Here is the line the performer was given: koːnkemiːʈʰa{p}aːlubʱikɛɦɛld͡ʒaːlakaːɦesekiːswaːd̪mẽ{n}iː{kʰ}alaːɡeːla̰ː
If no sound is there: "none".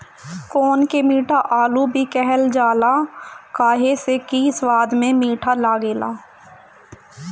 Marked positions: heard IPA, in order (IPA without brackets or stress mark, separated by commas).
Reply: ʔ, m, ʈʰ